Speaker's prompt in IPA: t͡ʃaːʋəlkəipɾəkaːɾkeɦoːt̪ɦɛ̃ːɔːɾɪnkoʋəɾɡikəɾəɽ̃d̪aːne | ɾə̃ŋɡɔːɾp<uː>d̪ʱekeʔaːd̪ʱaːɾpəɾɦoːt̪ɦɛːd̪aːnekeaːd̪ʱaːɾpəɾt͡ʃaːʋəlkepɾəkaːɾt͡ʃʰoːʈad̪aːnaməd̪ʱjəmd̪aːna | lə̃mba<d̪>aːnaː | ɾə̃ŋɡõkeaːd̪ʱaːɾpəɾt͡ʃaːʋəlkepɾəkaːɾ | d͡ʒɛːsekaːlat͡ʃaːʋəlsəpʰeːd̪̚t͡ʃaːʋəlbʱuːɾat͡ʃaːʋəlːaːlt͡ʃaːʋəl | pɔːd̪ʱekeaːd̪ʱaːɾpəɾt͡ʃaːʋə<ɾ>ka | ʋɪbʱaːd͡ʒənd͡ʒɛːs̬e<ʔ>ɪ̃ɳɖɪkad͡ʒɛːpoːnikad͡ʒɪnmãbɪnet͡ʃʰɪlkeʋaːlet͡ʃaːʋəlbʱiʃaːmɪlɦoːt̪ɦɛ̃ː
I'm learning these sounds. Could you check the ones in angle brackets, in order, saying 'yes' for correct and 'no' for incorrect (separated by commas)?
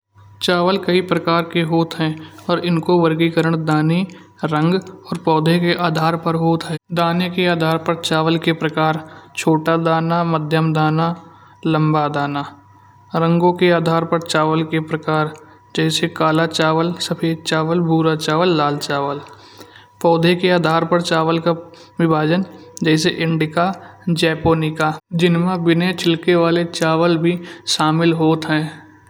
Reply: no, yes, no, yes